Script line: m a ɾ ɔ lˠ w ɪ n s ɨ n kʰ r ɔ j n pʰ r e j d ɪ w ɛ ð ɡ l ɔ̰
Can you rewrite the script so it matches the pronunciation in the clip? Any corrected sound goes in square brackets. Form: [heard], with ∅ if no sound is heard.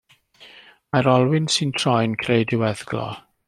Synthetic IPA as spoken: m a ɾ ɔ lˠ w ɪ n s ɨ n [tʰ] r ɔ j n [kʰ] r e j d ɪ w ɛ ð ɡ l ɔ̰